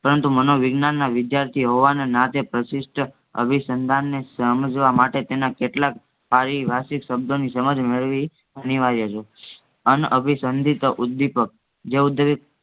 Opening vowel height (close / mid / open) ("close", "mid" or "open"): mid